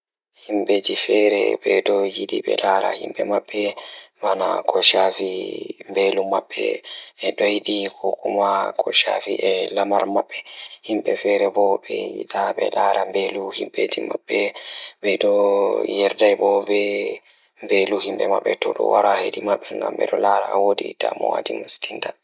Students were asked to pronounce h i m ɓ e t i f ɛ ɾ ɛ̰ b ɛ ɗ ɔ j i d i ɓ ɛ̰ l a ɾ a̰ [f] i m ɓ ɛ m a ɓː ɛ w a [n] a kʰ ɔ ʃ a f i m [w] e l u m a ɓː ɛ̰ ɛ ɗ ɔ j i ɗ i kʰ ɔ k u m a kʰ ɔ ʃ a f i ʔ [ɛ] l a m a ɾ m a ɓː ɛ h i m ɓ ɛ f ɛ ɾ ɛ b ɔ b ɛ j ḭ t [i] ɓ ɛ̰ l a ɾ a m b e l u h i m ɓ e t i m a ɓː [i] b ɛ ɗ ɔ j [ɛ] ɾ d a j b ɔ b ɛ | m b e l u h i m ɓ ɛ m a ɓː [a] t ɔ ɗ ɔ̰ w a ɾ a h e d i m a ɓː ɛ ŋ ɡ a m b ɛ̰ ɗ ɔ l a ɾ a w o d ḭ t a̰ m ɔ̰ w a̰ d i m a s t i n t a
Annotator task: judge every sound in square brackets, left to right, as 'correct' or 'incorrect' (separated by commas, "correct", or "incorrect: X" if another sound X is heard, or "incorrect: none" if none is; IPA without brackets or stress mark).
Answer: incorrect: h, correct, incorrect: b, correct, incorrect: a, incorrect: ɛ, correct, incorrect: ɛ